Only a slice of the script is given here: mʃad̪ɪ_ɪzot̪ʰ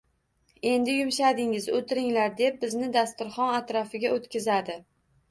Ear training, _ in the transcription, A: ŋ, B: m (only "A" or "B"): A